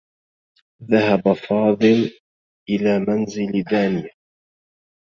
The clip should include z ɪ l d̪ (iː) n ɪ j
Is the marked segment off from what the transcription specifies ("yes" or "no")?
yes